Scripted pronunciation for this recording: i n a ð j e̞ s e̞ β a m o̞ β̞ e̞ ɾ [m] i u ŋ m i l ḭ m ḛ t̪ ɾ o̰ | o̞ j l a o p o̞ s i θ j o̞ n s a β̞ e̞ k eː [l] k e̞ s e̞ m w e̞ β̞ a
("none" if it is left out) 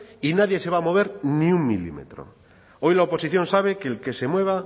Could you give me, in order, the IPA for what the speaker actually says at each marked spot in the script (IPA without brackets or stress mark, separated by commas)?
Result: n, l